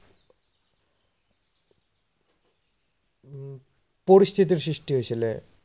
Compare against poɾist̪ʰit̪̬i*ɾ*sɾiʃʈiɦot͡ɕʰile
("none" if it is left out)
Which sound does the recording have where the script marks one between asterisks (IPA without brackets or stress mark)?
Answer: ɾ